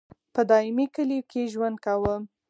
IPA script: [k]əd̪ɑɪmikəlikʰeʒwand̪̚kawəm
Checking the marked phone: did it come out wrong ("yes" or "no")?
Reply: yes